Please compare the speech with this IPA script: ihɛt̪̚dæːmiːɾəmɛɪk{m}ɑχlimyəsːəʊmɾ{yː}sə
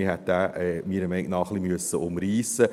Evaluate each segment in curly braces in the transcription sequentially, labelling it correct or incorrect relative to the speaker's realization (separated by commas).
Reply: incorrect, incorrect